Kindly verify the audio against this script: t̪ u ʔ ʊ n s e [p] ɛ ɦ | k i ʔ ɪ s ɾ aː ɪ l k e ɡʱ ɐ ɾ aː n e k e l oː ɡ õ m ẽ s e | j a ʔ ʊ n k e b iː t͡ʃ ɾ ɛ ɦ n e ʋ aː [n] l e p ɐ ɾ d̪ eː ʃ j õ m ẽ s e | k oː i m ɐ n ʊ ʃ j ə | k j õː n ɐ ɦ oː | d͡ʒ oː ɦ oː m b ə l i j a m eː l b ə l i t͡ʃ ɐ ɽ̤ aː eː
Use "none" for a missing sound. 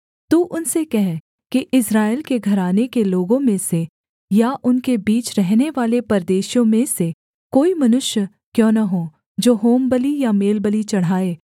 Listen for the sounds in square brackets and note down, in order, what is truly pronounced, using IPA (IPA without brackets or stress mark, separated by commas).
k, none